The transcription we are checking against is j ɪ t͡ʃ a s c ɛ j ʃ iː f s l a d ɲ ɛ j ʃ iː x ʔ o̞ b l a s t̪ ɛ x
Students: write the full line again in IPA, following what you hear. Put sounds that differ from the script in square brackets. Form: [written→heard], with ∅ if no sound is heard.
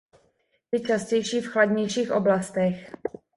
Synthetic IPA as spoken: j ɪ t͡ʃ a s c ɛ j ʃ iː f [s→x] l a d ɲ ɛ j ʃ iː x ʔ o̞ b l a s t̪ ɛ x